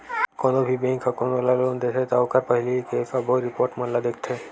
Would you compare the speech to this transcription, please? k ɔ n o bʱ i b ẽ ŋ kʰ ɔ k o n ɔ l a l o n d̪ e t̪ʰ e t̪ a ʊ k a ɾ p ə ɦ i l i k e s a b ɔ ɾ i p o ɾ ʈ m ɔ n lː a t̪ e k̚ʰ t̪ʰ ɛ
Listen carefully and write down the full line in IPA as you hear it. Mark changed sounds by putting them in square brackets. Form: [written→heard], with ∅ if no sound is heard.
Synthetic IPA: k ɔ n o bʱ i b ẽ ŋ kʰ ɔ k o n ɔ l a l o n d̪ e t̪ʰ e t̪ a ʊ k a ɾ p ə ɦ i l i k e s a b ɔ ɾ i p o ɾ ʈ m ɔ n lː a [t̪→d̪] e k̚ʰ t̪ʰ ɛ